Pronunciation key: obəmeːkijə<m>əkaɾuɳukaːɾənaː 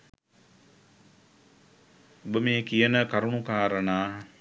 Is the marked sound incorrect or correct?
incorrect: n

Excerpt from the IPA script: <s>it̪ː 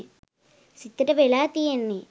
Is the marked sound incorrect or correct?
correct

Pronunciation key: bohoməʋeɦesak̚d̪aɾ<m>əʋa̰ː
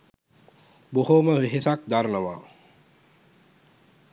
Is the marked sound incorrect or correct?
incorrect: n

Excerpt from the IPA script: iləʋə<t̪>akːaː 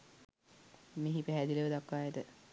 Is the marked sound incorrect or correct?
incorrect: d̪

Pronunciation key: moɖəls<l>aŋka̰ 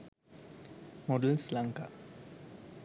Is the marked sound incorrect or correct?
correct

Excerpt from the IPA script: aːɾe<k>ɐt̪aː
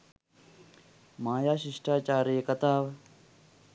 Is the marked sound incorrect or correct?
correct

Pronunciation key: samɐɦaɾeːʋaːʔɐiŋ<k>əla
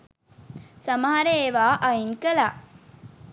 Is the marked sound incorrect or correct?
correct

